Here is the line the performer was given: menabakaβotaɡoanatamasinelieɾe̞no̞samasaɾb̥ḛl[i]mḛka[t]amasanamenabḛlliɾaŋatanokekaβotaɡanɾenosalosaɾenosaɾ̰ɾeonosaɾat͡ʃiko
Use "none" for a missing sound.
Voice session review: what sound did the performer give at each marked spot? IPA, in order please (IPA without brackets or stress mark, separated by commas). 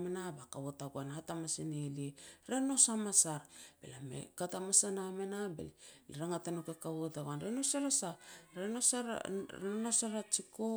a, t